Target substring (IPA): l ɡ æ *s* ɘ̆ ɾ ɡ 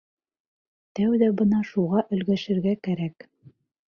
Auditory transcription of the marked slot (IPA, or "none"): ʃ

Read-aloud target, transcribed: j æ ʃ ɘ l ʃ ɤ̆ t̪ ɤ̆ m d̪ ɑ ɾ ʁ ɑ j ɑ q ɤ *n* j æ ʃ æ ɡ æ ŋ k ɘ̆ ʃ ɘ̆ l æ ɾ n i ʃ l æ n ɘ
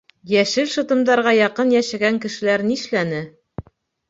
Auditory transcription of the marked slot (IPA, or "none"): n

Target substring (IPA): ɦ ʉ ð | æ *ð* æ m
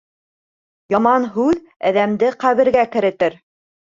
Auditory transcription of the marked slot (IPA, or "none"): ð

